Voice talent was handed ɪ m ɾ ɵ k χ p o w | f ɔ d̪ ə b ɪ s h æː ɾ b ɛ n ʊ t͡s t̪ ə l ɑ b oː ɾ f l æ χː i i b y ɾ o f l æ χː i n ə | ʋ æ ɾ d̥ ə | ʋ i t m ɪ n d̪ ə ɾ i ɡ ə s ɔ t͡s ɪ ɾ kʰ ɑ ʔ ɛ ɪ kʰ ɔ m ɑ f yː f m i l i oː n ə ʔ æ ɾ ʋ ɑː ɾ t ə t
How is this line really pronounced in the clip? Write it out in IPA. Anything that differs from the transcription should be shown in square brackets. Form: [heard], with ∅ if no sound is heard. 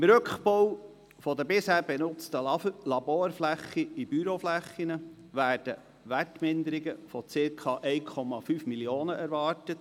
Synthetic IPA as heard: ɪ m ɾ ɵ k χ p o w | f ɔ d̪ ə b ɪ s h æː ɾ b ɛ n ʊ t͡s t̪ ə l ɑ b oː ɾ f l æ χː i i b y ɾ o f l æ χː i n ə | ʋ [æː] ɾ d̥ ə | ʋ [æ] t m ɪ n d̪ ə ɾ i ɡ ə [f] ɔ t͡s ɪ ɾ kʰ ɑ ʔ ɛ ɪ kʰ ɔ m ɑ f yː f m i l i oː n ə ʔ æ ɾ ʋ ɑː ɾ t ə t

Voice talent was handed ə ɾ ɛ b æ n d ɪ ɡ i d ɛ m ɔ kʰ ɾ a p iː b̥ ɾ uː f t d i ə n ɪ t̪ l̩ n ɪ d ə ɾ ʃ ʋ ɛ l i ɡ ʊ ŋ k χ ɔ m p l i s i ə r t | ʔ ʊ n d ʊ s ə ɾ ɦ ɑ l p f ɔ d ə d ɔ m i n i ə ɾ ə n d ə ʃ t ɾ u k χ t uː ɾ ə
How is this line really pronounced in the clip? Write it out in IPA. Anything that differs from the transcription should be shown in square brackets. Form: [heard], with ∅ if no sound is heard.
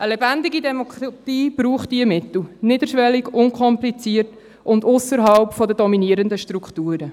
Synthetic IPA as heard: ə [l] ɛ b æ n d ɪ ɡ i d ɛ m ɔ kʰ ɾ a [t] iː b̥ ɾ uː [χ] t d i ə [m] ɪ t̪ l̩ n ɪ d ə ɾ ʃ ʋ ɛ l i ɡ ʊ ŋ k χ ɔ m p l i [t͡s] i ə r t | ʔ ʊ n d ʊ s ə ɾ ɦ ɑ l p f ɔ d ə d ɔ m i n i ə ɾ ə n d ə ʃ t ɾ u k χ t uː ɾ ə

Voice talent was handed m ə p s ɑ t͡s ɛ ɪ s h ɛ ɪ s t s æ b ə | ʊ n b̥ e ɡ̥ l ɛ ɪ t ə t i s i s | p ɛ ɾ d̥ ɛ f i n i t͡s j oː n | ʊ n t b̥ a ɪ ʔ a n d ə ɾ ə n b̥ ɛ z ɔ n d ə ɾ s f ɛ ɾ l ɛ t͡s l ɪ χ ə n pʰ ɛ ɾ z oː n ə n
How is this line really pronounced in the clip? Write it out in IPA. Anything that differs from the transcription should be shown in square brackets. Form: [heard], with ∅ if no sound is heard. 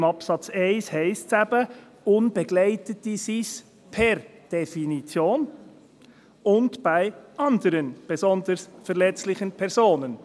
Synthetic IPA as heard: m [ɑ] p s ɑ t͡s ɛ ɪ s h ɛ ɪ s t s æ b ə | ʊ n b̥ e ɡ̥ l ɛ ɪ t ə t i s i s | [pʰ] ɛ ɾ d̥ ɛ f i n i t͡s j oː n | ʊ n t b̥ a ɪ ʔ [ɑ] n d ə ɾ ə n b̥ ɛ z ɔ n d ə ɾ s f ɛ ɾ l ɛ t͡s l ɪ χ ə n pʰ ɛ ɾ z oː n ə n

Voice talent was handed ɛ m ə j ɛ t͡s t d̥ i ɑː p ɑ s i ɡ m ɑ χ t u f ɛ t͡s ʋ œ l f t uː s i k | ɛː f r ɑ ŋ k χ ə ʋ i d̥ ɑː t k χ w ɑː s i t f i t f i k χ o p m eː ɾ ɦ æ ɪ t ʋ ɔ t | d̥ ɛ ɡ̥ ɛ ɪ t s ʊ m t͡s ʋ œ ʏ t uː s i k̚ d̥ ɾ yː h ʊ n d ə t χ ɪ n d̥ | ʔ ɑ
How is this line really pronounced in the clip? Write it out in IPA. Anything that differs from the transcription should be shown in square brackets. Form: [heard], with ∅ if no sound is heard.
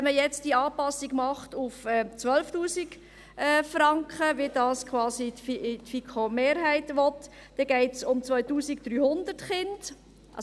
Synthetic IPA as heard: ɛ m ə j ɛ t͡s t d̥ i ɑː p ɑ s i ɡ m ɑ χ t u f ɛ t͡s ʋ œ l f t uː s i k | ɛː f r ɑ ŋ k χ ə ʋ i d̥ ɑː [s] k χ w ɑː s i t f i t f i k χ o [∅] m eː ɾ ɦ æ ɪ t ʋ ɔ t | d̥ ɛ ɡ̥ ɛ ɪ t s ʊ m t͡s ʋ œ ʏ t uː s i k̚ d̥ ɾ yː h ʊ n d ə t χ ɪ n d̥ | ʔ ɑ

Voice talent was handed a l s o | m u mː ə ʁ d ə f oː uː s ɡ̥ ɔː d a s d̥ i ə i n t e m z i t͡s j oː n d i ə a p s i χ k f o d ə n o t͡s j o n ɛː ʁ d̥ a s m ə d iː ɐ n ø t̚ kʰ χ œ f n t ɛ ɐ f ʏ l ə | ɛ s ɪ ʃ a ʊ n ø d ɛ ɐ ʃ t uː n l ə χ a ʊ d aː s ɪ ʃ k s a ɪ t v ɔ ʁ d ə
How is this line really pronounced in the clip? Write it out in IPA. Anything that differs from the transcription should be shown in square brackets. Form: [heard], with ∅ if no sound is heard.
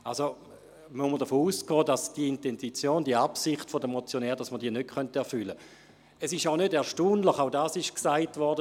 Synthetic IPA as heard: a l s o | m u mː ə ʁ d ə f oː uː s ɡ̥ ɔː d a s d̥ i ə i n t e [n] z i t͡s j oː n d i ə a p s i χ [t] f o d ə [m] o t͡s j o n ɛː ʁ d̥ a s m ə d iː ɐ n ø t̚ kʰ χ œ [∅] n t ɛ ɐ f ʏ l ə | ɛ s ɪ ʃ a ʊ n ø d ɛ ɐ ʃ t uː n l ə χ a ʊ d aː s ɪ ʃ k s a ɪ t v ɔ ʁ d ə

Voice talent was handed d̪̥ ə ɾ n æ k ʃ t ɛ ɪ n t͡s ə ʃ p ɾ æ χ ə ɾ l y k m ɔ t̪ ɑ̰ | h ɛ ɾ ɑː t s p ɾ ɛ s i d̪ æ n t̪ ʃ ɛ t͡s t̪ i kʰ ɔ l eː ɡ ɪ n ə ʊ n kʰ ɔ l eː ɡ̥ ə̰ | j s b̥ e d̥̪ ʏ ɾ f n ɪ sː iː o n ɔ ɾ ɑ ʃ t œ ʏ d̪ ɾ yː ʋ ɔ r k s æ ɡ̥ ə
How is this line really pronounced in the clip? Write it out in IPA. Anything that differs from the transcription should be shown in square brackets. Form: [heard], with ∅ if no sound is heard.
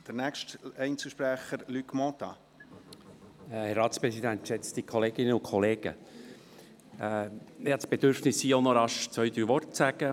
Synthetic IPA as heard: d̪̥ ə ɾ n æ k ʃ t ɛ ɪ n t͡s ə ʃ p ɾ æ χ ə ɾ l y k m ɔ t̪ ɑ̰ | h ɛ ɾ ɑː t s p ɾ ɛ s i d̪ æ n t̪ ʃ ɛ t͡s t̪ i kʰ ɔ l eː ɡ ɪ n ə ʊ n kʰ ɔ l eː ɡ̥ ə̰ | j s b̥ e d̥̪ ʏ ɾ f n ɪ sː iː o n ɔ ɾ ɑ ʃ [t͡s] œ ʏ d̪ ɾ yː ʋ ɔ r [t] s æ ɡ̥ ə

